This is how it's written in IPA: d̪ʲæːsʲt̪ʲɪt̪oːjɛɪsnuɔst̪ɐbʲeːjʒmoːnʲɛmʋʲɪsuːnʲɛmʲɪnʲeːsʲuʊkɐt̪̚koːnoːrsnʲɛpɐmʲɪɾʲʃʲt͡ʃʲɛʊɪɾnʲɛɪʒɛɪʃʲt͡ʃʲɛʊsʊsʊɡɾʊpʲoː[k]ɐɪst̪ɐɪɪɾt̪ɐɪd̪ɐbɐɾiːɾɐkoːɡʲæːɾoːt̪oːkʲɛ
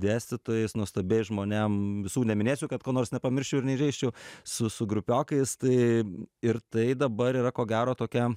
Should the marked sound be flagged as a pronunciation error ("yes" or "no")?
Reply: no